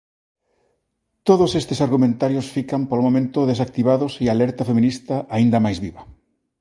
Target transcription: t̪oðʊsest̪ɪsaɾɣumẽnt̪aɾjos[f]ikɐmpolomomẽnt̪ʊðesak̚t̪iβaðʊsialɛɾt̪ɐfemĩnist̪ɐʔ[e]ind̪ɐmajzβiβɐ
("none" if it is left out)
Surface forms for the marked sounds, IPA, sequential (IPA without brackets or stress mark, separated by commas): f, a